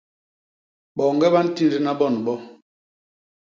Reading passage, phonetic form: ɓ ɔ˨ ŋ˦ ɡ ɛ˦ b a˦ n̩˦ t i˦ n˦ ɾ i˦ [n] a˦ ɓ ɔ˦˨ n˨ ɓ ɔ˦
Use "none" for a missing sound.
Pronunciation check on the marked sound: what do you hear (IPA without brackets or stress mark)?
n